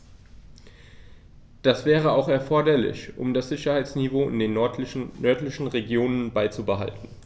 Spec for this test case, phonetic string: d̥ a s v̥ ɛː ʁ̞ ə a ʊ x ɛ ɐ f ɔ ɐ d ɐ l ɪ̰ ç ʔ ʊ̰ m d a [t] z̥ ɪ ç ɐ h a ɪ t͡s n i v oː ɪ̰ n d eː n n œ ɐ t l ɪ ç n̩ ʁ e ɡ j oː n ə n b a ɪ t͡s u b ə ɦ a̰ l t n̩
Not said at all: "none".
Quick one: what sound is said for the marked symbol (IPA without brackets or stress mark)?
s